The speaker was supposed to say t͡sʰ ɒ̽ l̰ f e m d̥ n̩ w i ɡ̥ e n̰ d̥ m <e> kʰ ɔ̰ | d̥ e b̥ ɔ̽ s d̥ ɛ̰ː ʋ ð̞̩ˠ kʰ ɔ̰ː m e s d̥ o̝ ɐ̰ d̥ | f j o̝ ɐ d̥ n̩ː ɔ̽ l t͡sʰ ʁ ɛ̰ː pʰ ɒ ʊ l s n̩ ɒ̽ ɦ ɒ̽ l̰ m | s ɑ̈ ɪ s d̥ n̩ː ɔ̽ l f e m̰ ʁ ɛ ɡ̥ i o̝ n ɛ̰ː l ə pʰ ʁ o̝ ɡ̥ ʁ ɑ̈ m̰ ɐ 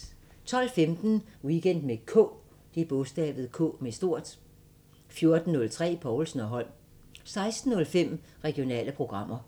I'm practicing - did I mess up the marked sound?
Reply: no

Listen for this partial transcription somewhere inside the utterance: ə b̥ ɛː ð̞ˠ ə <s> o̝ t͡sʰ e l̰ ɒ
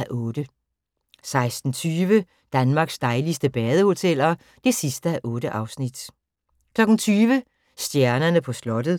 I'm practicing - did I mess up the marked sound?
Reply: yes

